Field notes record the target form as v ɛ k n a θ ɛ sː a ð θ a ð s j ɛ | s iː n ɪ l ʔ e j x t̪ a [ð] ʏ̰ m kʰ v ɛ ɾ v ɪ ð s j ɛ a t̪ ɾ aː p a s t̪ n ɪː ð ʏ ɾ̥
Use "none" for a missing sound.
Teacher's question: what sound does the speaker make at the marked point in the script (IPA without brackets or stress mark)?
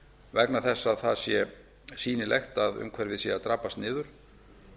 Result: ð